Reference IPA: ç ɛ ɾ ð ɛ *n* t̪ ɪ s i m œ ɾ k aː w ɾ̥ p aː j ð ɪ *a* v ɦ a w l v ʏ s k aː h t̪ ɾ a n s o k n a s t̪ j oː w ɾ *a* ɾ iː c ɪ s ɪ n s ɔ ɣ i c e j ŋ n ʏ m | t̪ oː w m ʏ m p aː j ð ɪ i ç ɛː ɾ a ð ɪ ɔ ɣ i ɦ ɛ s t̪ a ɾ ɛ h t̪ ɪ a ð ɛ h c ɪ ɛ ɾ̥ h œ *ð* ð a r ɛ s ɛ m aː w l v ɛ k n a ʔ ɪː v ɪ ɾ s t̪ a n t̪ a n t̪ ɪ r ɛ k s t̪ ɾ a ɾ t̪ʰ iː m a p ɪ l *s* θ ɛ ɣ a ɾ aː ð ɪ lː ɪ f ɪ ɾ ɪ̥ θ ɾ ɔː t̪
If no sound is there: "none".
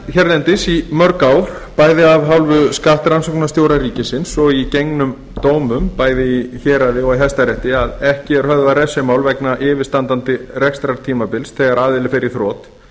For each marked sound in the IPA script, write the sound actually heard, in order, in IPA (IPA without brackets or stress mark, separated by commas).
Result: n, a, a, ð, s